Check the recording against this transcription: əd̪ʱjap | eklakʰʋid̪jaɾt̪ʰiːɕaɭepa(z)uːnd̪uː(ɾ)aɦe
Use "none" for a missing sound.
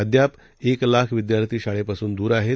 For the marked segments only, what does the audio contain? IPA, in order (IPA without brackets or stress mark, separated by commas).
s, ɾ